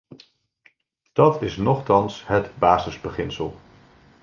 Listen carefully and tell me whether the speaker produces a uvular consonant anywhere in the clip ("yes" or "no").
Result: yes